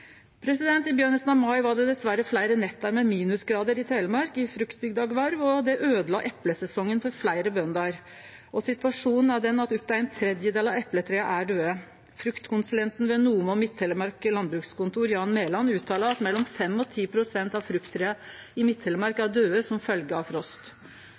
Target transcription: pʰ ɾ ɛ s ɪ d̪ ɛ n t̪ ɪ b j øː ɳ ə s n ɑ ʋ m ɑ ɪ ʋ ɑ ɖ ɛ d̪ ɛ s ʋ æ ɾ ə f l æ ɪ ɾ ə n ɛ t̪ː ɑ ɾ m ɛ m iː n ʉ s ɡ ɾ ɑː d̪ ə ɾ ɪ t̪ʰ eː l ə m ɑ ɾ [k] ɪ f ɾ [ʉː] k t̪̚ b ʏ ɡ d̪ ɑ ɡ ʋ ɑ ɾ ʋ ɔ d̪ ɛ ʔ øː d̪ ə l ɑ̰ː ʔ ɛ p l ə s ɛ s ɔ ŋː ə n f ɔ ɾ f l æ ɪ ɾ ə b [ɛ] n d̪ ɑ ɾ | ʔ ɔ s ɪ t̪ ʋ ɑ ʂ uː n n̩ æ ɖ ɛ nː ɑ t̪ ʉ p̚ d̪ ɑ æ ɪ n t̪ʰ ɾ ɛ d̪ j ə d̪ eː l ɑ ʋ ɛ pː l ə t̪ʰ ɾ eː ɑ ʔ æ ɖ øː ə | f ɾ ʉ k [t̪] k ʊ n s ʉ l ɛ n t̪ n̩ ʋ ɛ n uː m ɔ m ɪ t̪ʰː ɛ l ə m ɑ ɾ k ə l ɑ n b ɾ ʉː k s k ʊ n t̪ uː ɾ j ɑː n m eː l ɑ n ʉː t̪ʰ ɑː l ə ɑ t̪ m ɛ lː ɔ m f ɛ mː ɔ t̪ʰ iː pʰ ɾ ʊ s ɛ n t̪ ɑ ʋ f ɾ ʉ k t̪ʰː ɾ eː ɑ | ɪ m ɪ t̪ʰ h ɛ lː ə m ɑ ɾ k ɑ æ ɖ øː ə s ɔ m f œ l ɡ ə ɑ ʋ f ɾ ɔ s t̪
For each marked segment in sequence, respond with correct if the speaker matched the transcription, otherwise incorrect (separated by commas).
correct, incorrect, incorrect, correct